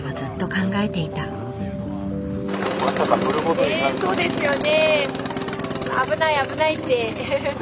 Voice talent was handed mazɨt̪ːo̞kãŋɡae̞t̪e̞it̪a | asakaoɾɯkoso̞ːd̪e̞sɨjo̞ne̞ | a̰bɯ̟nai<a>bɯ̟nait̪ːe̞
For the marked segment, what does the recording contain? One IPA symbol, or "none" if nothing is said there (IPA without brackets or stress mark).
a